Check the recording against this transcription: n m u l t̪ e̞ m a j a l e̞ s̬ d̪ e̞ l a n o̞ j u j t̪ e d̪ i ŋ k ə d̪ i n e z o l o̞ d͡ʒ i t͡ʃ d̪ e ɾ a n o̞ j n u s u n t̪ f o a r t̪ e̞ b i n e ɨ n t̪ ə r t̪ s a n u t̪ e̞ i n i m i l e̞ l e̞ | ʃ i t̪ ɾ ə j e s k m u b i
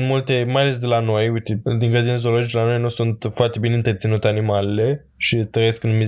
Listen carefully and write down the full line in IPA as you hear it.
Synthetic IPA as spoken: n m u l t̪ e̞ m a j a l e̞ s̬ d̪ e̞ l a n o̞ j u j t̪ e d̪ i ŋ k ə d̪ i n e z o l o̞ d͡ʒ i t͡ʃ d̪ e l a n o̞ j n u s u n t̪ f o a r t̪ e̞ b i n e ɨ n t̪ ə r t̪ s i n u t̪ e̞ a n i m a l e̞ l e̞ | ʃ i t̪ ɾ ə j e s k n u m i